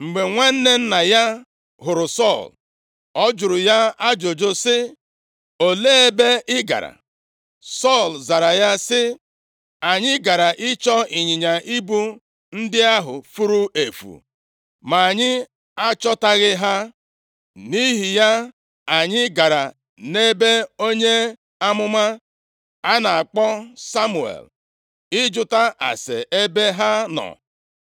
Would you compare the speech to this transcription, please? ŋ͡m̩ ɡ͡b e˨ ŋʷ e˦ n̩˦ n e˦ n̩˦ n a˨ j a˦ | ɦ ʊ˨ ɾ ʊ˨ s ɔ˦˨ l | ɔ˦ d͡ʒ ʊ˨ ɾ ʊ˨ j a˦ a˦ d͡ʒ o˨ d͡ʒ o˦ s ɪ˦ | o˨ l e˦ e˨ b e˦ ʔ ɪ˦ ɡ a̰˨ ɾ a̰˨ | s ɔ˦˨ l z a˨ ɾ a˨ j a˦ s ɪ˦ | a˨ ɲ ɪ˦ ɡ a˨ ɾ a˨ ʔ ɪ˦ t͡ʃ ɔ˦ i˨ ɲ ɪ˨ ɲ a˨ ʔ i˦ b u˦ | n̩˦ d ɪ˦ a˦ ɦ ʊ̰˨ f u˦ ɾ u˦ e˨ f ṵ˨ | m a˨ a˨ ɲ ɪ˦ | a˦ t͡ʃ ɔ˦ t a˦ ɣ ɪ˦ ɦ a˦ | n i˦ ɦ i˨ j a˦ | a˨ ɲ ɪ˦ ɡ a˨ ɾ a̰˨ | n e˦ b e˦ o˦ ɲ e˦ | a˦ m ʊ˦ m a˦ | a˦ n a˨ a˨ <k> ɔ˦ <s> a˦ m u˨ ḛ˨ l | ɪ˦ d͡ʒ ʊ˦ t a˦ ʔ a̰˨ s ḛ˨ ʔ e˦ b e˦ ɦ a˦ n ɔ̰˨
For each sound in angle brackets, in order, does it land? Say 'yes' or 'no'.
no, yes

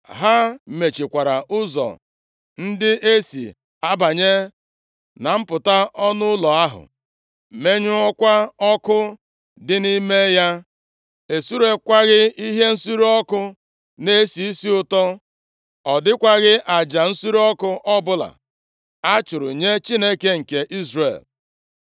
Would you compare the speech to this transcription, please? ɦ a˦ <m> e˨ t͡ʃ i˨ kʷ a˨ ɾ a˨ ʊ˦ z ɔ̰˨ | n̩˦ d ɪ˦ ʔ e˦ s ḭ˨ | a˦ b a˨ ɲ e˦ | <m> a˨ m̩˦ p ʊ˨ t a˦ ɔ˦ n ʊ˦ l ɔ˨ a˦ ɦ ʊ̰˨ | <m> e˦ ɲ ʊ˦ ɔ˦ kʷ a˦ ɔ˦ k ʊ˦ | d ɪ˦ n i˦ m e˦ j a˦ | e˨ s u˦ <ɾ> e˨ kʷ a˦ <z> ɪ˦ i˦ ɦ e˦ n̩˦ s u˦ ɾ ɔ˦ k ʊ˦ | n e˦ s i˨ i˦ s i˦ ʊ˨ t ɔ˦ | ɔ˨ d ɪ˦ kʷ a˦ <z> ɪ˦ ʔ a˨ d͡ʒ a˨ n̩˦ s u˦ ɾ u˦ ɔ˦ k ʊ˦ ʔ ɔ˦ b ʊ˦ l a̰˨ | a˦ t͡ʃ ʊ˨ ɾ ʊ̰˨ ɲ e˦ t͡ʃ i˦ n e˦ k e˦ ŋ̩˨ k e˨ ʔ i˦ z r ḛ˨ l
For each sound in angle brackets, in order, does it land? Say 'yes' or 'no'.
yes, no, yes, yes, no, no

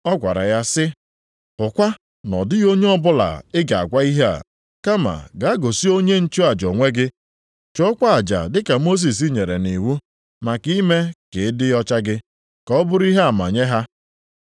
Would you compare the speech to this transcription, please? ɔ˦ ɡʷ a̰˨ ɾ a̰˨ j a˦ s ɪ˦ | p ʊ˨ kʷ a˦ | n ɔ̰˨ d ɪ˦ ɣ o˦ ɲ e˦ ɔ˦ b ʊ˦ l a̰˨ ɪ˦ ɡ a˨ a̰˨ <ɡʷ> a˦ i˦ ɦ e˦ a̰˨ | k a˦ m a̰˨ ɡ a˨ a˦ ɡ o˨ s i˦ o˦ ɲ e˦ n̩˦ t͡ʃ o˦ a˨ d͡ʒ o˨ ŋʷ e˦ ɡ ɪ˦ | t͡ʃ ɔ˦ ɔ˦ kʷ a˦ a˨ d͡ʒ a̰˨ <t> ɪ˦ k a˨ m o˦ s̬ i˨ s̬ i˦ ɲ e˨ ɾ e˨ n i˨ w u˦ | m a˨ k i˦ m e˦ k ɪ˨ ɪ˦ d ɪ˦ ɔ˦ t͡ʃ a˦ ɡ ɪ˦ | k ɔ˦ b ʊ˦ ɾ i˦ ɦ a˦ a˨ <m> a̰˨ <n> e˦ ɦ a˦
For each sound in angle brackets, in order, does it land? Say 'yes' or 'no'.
yes, no, yes, no

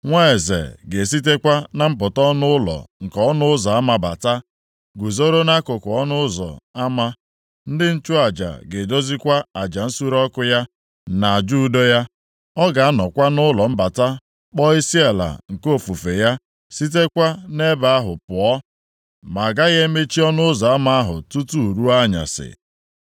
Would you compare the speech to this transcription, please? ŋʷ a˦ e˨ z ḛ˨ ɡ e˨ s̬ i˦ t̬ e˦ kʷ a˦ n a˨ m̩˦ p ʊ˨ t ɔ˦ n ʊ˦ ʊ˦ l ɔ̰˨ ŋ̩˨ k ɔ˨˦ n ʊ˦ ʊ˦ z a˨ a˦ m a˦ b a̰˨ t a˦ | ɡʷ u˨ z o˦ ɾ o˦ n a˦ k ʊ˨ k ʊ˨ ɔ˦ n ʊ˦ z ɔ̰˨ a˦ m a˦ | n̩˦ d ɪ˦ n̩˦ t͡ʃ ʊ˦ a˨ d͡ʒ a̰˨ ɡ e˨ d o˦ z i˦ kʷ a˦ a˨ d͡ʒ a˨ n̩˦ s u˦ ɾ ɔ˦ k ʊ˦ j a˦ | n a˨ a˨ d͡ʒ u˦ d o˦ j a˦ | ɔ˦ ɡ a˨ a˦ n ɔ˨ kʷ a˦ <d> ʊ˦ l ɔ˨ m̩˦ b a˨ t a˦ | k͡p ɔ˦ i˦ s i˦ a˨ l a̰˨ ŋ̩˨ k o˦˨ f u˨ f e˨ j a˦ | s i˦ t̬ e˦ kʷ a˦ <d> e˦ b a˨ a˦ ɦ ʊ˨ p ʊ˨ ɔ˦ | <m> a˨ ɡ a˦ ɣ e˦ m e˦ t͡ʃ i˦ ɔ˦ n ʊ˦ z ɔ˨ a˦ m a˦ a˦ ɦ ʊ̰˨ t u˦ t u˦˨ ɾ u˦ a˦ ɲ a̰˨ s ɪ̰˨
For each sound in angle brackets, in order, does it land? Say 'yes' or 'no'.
no, no, yes

